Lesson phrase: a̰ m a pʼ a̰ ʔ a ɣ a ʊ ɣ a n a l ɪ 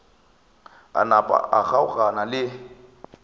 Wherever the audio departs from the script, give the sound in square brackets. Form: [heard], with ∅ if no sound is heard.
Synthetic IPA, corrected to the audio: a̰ [n] a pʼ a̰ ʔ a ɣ a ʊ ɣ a n a l ɪ